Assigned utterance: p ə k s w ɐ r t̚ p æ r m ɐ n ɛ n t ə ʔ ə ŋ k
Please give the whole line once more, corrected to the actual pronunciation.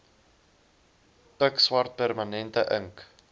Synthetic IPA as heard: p ə k s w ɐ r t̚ p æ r m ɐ n ɛ n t ə ʔ ə ŋ k